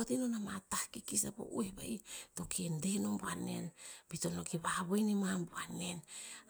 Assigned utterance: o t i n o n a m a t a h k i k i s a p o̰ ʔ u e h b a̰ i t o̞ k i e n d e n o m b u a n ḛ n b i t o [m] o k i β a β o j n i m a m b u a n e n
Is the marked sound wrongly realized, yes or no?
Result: yes